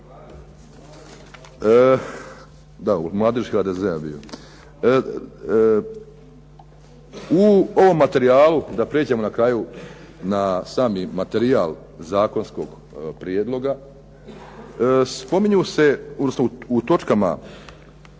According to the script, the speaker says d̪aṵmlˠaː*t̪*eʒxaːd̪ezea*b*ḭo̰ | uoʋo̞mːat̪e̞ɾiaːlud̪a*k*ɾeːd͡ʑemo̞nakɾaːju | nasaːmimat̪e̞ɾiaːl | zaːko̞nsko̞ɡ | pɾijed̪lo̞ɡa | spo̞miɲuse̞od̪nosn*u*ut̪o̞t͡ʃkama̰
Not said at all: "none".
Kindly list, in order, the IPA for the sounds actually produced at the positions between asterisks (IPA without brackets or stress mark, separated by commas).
d̪, b, p, o